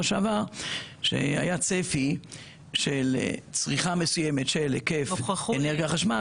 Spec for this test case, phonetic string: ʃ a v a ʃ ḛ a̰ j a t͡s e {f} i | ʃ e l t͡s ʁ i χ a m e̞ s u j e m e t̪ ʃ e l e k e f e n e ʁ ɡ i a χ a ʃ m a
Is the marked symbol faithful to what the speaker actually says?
yes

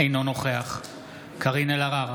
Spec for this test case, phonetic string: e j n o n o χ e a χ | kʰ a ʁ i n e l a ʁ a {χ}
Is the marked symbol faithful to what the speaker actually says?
no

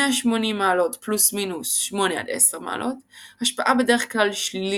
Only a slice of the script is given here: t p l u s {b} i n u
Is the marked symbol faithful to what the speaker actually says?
no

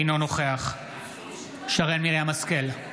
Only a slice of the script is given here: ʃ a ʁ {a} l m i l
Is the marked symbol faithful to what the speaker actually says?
no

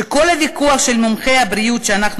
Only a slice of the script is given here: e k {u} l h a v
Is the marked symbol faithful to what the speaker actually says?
no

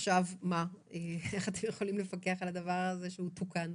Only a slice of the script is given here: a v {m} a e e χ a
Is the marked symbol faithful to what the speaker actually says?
yes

